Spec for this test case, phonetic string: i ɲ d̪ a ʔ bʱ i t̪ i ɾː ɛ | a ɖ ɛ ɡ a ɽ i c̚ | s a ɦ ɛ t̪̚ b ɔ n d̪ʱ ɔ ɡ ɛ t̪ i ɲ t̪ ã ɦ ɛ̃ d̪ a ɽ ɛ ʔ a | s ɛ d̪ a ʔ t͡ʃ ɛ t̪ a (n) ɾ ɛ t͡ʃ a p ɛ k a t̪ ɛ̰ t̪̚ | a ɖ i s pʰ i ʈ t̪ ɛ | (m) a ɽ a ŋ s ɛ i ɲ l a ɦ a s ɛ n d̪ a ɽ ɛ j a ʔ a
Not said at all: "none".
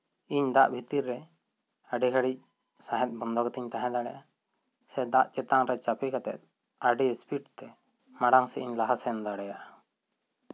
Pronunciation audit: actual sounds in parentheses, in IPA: ŋ, m

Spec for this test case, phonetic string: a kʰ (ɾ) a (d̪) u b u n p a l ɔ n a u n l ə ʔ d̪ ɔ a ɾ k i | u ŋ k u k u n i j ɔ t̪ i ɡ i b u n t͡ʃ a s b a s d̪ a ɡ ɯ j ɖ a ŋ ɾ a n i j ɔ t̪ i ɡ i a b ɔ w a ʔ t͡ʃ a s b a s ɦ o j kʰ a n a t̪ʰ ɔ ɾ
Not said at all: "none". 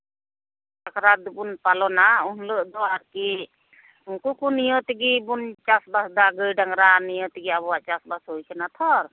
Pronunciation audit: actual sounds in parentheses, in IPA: ɾ, d̪

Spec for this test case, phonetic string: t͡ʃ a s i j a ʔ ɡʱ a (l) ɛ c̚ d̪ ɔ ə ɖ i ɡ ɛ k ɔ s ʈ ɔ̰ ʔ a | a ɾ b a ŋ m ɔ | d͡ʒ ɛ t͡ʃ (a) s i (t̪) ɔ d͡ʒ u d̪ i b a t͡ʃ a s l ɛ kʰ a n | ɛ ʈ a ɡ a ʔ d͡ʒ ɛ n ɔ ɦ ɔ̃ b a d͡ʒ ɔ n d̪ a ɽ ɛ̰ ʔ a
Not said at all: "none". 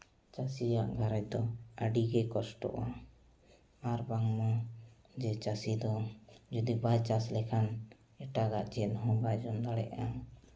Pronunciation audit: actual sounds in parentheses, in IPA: ɾ, a, d̪

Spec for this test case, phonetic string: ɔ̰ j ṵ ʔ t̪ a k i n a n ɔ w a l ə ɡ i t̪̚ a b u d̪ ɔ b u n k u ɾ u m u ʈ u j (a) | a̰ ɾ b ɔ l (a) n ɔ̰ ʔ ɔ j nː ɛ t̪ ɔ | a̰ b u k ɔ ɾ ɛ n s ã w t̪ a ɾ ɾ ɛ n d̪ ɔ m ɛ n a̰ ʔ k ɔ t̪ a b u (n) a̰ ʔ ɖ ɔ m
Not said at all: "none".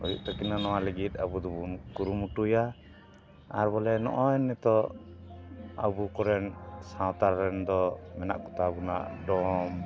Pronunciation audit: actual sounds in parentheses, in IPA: a, ɛ, n

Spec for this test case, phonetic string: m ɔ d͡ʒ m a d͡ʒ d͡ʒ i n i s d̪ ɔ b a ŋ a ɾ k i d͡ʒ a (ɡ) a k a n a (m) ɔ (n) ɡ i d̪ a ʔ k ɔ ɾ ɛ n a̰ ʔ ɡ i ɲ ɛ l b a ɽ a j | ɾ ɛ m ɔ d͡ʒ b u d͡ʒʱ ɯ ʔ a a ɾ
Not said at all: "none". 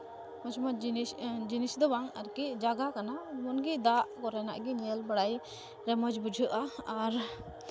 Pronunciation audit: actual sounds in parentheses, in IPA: ɡ, m, n

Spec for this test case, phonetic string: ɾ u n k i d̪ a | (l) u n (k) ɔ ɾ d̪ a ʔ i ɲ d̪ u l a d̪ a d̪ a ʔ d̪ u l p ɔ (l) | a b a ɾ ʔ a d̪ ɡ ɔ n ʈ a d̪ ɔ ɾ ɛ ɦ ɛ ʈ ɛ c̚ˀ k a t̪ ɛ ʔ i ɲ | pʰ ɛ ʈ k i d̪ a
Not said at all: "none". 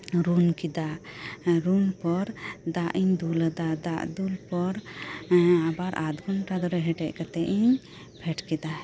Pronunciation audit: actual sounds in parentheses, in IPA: ɾ, p, ɾ

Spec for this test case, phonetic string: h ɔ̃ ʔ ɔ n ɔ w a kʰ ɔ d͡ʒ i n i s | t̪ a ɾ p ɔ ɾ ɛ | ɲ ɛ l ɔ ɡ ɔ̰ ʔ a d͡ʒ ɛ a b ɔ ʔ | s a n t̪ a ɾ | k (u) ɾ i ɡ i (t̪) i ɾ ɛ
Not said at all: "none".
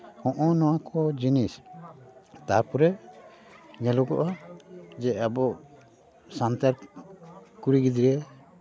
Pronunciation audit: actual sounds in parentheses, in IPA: u, d̪

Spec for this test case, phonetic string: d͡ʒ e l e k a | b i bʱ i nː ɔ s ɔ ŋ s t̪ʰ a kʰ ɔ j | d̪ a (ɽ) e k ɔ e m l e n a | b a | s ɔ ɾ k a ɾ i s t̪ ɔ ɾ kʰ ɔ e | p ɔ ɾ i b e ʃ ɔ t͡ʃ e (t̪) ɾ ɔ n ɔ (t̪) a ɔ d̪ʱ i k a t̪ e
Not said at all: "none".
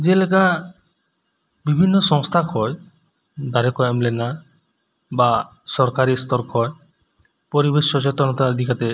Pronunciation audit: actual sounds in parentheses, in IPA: ɾ, t̪, t̪

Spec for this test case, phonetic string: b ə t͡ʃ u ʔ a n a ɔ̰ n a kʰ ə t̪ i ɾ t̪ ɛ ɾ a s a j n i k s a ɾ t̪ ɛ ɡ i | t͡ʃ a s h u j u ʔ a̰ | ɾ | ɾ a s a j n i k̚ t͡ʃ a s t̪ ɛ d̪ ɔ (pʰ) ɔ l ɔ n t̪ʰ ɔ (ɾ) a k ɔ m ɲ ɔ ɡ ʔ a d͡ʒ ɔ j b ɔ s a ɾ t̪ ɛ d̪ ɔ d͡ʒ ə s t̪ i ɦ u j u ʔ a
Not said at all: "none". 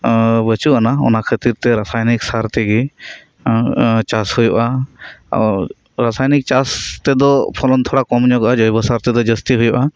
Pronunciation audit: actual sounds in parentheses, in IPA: pʰ, ɽ

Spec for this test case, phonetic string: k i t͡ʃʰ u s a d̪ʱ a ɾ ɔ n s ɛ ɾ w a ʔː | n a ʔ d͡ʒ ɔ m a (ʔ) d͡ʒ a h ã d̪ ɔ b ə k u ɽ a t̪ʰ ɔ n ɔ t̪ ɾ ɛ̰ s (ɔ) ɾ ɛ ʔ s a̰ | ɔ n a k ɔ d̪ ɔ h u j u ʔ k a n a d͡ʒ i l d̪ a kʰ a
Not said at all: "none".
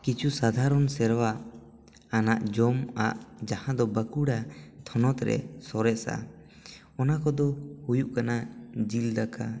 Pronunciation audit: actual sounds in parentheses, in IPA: ʔ, ɔ

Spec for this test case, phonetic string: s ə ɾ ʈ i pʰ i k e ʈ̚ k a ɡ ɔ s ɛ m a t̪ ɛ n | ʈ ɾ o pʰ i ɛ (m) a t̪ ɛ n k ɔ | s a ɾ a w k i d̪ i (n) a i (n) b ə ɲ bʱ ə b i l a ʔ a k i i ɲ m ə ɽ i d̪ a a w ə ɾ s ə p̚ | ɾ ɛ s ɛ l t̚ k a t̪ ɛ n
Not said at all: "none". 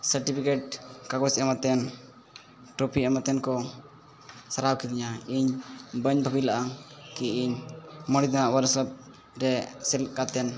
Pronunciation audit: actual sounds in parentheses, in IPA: m, ɲ, ɲ

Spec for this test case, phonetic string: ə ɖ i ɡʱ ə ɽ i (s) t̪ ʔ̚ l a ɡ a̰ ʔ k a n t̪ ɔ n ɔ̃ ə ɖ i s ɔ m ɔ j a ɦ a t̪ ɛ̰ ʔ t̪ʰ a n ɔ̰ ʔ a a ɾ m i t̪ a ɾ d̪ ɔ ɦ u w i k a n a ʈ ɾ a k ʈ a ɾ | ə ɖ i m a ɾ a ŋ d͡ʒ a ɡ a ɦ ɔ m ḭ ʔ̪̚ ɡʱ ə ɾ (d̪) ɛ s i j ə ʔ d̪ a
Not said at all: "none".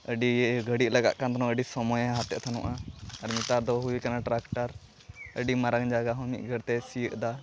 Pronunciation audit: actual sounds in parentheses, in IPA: none, t̪

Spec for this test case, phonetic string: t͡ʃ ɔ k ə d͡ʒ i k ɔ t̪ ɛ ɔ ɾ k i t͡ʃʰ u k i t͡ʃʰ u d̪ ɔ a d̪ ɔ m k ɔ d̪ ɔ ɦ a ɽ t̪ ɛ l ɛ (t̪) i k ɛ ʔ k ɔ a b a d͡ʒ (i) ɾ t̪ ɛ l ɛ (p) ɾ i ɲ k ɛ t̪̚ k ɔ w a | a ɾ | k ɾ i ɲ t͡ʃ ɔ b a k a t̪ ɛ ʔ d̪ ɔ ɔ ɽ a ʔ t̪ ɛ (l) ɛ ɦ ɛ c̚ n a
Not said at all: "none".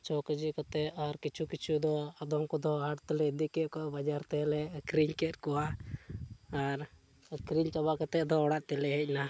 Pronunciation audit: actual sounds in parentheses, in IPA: d̪, a, k, l

